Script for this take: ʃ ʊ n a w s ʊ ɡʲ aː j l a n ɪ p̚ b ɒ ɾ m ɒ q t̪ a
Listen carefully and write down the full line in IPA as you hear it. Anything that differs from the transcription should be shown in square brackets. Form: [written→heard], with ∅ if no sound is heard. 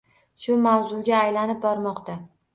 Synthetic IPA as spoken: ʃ ʊ [n→m] a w [s→z] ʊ ɡʲ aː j l a n ɪ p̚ b ɒ ɾ m ɒ q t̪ a